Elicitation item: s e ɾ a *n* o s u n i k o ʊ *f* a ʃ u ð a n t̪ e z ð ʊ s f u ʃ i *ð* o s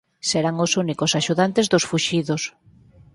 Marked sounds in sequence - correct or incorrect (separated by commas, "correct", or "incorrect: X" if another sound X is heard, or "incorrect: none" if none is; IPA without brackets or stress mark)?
incorrect: ŋ, incorrect: s, correct